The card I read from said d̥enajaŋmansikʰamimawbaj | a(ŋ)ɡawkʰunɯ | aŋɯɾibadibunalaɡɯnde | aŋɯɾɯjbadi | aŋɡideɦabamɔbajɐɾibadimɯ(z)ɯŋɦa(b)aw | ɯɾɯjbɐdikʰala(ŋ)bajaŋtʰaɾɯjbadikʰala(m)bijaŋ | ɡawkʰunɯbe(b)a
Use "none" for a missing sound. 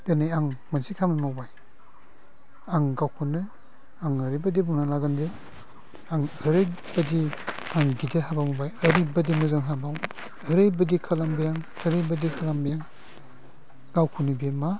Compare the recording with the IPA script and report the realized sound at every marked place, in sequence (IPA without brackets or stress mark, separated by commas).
ŋ, z, b, m, m, m